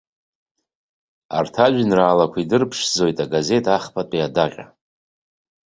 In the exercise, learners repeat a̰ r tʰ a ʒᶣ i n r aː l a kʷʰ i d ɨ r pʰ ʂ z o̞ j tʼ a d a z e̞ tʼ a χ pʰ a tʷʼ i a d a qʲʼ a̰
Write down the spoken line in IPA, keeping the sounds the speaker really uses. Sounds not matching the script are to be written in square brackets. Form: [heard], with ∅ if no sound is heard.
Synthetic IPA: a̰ r tʰ a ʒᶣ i n r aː l a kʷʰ i d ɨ r pʰ ʂ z o̞ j tʼ a [ɡ] a z e̞ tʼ a χ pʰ a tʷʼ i a d a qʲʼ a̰